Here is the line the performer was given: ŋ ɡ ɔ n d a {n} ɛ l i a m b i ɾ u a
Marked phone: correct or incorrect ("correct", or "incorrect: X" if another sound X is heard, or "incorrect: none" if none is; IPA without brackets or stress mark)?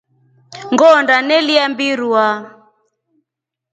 correct